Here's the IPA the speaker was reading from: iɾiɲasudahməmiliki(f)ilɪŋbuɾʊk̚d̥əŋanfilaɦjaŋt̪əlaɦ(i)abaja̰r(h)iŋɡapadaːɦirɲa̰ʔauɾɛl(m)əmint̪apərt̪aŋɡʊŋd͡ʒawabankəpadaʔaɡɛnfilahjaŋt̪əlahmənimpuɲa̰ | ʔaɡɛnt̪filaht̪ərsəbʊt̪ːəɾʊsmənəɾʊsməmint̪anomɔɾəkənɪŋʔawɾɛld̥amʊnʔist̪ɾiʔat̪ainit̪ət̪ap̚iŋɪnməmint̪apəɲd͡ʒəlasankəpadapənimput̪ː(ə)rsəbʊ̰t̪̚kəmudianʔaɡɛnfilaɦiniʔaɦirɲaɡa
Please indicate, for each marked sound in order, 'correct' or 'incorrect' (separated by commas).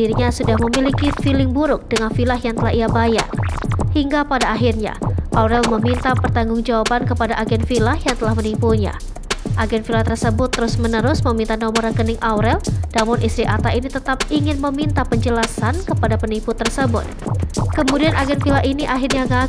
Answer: correct, correct, correct, correct, correct